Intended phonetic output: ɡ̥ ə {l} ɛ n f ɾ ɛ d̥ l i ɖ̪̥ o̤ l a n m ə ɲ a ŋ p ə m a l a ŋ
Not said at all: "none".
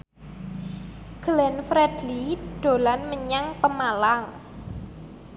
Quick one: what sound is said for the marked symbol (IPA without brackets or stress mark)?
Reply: l